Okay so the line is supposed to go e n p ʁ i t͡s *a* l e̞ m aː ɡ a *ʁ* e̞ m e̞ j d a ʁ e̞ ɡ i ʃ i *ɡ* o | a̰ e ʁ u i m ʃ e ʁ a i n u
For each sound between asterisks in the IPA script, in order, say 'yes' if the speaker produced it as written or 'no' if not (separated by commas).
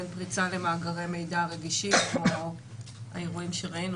yes, yes, no